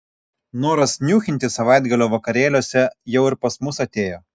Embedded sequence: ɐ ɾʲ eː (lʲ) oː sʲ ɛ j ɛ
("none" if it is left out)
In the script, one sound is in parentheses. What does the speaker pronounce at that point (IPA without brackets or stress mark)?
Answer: lʲ